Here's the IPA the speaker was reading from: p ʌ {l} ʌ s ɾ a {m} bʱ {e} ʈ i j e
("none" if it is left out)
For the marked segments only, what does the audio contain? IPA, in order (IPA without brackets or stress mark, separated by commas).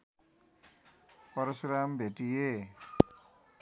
ɾ, m, e